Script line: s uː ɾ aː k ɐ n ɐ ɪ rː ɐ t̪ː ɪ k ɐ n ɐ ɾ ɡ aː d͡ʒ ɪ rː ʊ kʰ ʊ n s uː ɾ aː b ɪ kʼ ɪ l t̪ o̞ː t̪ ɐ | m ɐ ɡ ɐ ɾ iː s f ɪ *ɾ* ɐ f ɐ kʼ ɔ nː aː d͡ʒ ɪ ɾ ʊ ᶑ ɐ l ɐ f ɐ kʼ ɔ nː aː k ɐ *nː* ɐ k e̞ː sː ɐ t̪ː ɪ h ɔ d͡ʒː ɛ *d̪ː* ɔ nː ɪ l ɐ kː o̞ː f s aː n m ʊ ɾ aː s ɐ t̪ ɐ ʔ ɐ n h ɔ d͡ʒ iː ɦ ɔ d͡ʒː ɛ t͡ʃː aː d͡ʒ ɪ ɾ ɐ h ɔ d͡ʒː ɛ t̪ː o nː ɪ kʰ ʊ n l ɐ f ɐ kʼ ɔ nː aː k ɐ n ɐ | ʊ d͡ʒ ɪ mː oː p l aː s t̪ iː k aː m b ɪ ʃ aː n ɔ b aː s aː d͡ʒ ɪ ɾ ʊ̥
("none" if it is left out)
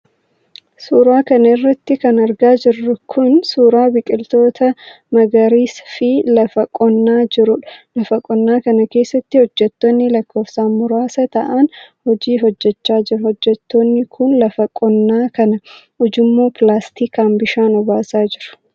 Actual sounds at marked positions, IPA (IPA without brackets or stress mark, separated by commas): l, n, t̪ː